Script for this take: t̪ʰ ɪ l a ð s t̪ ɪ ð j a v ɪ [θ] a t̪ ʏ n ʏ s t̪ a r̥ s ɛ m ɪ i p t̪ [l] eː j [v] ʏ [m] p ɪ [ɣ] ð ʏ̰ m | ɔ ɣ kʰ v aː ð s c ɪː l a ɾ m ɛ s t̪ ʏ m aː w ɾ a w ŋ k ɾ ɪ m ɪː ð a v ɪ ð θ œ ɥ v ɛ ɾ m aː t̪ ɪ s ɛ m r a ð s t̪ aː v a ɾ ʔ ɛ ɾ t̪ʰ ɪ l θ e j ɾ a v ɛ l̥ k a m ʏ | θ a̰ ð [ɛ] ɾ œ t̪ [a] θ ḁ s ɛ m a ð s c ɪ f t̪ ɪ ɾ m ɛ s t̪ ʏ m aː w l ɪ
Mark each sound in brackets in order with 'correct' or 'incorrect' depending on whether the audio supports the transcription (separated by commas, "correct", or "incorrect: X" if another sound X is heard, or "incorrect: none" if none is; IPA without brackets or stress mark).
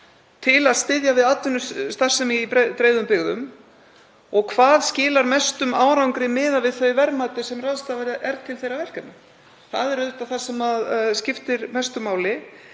incorrect: ð, incorrect: ɾ, incorrect: ð, correct, correct, correct, correct